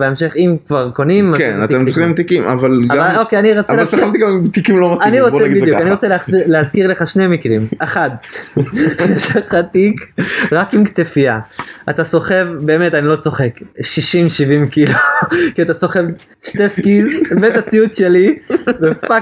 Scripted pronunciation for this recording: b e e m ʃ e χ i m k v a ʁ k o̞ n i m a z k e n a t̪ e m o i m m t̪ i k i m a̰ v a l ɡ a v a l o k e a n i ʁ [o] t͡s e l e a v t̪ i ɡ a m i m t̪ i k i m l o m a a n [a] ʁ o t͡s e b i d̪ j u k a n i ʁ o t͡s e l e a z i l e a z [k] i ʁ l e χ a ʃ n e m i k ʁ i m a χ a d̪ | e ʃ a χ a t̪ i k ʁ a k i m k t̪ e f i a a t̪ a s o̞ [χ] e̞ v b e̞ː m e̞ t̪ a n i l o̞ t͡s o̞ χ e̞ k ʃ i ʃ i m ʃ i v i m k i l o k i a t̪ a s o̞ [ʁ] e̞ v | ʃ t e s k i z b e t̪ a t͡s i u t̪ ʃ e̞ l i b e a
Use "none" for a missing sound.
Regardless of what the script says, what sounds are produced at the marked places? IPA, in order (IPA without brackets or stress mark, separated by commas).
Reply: o, i, k, χ, χ